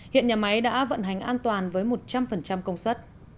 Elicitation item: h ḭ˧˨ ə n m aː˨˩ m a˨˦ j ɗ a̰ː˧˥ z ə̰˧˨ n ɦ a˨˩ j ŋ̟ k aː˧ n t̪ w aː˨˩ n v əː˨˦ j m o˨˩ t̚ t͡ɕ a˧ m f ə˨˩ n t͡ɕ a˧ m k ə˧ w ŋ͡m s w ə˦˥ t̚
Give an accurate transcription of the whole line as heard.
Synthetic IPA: h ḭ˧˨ ə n ɲ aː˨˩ m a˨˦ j ɗ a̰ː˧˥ v ə̰˧˨ n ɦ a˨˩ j ŋ̟ ʔ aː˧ n t̪ w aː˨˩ n v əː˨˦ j m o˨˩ t̚ t͡ɕ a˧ m f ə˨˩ n t͡ɕ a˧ m k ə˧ w ŋ͡m s w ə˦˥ t̚

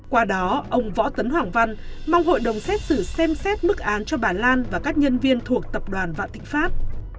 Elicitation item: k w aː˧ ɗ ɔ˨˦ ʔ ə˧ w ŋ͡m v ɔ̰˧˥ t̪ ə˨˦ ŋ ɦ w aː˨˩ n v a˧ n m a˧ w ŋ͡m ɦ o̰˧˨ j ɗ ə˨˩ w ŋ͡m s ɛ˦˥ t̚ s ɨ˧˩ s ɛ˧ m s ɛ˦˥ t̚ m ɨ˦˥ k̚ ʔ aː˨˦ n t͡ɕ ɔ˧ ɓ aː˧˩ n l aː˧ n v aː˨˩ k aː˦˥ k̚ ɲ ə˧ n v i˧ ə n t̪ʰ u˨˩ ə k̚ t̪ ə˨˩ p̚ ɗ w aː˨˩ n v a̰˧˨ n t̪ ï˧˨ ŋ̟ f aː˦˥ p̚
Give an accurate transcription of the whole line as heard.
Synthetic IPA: k w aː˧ ɗ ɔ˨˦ ʔ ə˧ w ŋ͡m v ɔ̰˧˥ t̪ ə˨˦ n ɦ w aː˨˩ ŋ v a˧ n m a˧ w ŋ͡m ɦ o̰˧˨ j ɗ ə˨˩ w ŋ͡m s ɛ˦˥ t̚ s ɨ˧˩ s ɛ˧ m s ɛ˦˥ t̚ m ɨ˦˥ k̚ ʔ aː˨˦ n t͡ɕ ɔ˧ ɓ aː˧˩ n l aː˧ n v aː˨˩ k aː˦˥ k̚ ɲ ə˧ n v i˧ ə n t̪ʰ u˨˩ ə k̚ t̪ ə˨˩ p̚ ɗ w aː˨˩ n v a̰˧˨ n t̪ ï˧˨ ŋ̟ f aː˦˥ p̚

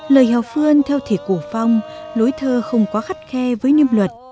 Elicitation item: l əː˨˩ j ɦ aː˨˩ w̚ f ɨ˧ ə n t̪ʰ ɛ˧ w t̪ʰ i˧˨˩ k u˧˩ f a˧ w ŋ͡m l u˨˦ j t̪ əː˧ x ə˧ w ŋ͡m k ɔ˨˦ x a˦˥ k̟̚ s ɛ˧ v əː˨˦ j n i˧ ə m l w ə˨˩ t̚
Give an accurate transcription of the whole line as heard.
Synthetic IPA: l əː˨˩ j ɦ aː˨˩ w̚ f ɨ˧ ə n t̪ʰ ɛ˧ w t̪ʰ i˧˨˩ k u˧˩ f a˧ w ŋ͡m l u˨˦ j t̪ʰ əː˧ x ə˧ w ŋ͡m k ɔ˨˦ x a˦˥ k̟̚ x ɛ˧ v əː˨˦ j n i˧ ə m l w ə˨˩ t̚

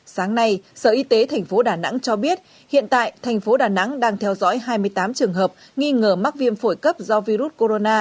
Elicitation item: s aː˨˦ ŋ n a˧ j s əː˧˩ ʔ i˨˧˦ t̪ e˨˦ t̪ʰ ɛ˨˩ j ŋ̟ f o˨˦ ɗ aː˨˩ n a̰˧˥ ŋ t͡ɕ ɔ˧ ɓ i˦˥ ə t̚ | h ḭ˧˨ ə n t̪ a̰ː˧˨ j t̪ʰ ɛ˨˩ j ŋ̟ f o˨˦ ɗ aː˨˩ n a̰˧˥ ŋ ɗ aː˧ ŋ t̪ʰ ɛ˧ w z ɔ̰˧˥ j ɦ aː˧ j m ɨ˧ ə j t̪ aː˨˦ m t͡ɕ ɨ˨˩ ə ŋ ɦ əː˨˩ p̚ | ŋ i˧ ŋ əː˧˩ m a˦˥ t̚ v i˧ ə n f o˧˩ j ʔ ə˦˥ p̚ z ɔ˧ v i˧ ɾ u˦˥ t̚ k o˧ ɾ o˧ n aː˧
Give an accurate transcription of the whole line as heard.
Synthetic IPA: s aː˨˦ ŋ n a˧ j s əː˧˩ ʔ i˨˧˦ t̪ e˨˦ t̪ʰ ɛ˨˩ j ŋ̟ f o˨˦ ɗ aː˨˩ n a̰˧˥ ŋ t͡ɕ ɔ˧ ɓ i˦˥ ə t̚ | h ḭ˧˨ ə n t̪ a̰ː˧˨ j t̪ʰ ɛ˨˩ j ŋ̟ f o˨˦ ɗ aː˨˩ n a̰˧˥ ŋ ɗ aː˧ ŋ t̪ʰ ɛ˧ w z ɔ̰˧˥ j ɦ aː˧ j m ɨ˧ ə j t̪ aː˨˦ m t͡ɕ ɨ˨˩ ə ŋ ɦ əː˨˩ p̚ | ŋ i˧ ŋ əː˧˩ m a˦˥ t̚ v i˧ ə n f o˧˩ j k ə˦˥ p̚ z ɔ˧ v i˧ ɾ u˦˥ t̚ k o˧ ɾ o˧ n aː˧

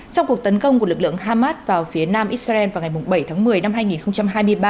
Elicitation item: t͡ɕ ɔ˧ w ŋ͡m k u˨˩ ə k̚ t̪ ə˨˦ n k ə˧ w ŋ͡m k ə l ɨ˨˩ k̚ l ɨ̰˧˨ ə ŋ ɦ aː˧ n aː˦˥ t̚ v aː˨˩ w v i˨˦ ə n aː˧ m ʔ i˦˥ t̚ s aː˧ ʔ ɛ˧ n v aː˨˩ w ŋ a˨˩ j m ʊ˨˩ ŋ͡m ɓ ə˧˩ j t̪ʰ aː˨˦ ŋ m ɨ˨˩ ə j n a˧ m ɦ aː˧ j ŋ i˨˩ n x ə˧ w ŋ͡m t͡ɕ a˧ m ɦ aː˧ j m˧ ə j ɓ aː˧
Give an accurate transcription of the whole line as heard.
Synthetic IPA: t͡ɕ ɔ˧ w ŋ͡m k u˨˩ ə k̚ t̪ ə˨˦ n k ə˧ w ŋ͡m k ə l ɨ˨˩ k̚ l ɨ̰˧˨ ə ŋ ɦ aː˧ m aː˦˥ t̚ v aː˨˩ w f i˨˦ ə n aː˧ m ʔ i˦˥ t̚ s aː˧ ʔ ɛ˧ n v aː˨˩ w ŋ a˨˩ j m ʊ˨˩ ŋ͡m ɓ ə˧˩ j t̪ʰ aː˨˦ ŋ m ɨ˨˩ ə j n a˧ m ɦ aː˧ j ŋ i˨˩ n x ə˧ w ŋ͡m t͡ɕ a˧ m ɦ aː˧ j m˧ ə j ɓ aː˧

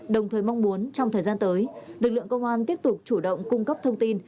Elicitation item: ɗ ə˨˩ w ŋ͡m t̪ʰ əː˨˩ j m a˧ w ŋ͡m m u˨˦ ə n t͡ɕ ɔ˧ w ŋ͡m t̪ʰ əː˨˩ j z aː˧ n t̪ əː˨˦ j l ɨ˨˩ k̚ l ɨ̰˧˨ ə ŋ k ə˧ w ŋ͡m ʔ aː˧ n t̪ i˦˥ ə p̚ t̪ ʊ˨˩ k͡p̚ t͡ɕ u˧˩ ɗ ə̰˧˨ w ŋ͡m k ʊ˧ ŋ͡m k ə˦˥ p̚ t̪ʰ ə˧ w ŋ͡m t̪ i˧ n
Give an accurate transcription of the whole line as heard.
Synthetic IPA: ɗ ə˨˩ w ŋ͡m t̪ʰ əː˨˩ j m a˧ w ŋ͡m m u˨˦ ə n t͡ɕ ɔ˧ w ŋ͡m t̪ʰ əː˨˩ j z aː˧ n t̪ əː˨˦ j l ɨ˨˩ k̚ l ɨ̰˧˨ ə ŋ k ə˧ w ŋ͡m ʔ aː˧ n t̪ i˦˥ ə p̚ t̪ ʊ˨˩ k͡p̚ t͡ɕ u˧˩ ɗ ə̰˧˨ w ŋ͡m k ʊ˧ ŋ͡m k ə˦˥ p̚ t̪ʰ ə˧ w ŋ͡m t̪ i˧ n

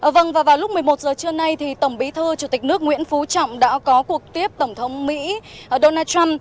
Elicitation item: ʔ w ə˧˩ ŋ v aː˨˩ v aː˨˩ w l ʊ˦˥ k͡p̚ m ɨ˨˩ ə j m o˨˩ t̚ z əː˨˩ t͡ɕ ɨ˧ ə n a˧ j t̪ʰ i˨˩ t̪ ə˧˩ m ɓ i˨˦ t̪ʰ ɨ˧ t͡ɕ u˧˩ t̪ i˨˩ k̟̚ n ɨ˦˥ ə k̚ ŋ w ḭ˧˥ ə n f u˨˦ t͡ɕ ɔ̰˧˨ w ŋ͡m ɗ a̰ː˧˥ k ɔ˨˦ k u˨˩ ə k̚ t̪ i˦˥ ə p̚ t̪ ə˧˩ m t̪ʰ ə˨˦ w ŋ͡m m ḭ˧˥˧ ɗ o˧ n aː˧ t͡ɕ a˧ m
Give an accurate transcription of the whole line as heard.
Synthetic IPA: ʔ v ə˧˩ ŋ v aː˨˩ v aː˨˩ w l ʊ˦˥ k͡p̚ m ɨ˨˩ ə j m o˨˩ t̚ z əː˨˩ t͡ɕ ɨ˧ ə n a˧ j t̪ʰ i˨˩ t̪ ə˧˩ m ɓ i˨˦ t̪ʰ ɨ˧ t͡ɕ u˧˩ t̪ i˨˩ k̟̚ n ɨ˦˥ ə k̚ ŋ w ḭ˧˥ ə n f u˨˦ t͡ɕ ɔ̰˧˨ w ŋ͡m ɗ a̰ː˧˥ k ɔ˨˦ k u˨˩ ə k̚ t̪ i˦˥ ə p̚ t̪ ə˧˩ ŋ͡m t̪ʰ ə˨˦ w ŋ͡m m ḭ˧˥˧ ɗ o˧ n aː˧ t͡ɕ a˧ m

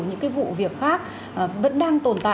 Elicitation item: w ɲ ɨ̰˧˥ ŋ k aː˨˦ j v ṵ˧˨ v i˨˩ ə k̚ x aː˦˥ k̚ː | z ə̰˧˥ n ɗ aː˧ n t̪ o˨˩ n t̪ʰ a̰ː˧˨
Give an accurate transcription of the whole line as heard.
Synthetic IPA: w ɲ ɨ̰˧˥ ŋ k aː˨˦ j v ṵ˧˨ v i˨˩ ə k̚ x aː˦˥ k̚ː | v ə̰˧˥ n ɗ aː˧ ŋ t̪ o˨˩ n t̪ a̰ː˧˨

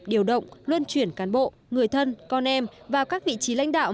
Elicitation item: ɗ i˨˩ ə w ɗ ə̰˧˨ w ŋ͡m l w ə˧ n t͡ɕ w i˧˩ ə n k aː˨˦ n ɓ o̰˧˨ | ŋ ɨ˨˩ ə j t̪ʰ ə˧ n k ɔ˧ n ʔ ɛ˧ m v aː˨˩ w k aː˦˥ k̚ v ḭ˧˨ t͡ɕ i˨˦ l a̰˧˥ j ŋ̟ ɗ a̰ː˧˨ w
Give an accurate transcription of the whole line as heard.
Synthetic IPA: ɗ i˨˩ ə w ɗ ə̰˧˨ w ŋ͡m l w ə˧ n t͡ɕ w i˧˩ ə n k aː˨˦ n ɓ o̰˧˨ | ŋ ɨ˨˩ ə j t̪ʰ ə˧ n k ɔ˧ n ʔ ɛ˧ m v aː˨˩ w k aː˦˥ k̚ v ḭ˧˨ t͡ɕ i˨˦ l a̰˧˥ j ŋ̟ ɗ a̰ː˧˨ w

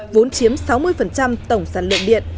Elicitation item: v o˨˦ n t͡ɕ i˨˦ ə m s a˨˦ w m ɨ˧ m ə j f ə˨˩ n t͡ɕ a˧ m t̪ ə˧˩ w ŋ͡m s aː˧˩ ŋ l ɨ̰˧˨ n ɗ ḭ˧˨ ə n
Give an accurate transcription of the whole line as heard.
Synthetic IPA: v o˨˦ n t͡ɕ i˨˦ ə m s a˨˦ w m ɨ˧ ə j f ə˨˩ n t͡ɕ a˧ m t̪ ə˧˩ w ŋ͡m s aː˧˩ n l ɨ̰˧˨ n ɗ ḭ˧˨ ə n

